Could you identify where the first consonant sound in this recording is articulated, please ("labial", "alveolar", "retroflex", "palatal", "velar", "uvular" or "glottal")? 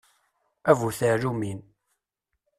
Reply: labial